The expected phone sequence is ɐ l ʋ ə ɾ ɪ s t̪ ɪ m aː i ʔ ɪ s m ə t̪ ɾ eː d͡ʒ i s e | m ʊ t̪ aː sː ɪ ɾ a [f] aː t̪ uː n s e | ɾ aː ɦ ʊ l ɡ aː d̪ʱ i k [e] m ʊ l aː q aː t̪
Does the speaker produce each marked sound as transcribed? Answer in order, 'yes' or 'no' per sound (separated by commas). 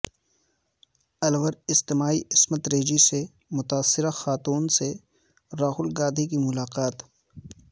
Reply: no, no